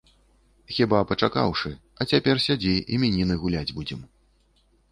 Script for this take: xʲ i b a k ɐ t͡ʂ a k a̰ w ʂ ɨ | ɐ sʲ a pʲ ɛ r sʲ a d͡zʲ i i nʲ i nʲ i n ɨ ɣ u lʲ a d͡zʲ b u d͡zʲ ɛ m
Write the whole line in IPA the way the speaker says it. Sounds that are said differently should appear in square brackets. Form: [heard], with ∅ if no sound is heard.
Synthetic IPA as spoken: xʲ i b a [p] ɐ t͡ʂ a k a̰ w ʂ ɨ | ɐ [t͡sʲ] a pʲ ɛ r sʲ a d͡zʲ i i [mʲ] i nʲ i n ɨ ɣ u lʲ a d͡zʲ b u d͡zʲ ɛ m